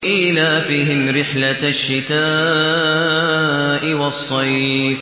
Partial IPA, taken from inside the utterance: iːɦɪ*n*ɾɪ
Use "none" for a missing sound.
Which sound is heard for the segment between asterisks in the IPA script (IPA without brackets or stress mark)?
m